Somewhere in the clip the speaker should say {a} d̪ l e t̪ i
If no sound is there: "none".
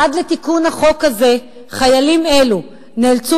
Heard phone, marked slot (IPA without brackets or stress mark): a